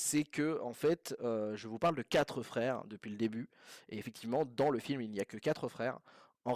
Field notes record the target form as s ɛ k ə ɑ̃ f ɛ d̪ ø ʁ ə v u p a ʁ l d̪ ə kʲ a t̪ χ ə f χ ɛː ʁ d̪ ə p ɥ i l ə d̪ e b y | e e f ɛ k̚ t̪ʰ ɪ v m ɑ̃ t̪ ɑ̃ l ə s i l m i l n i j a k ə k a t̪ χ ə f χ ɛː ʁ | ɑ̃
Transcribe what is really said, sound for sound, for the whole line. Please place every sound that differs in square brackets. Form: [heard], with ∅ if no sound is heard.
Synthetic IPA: s ɛ k ə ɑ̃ f ɛ [t̪] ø [ʒ] ə v u p a ʁ l d̪ ə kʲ a t̪ χ ə f χ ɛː ʁ d̪ ə p ɥ i l ə d̪ e b y | e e f ɛ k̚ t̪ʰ [i] v m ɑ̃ [d̪] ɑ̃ l ə [f] i l m i l n i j a k ə k a t̪ χ ə f χ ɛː ʁ | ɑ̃